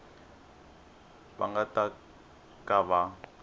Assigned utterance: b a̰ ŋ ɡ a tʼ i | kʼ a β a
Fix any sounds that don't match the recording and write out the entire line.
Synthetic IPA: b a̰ ŋ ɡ a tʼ a | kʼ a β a